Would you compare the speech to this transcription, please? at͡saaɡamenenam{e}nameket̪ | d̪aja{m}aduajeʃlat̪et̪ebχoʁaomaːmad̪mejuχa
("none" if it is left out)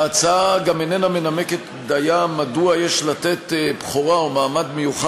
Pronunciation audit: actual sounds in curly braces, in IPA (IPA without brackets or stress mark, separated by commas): e, m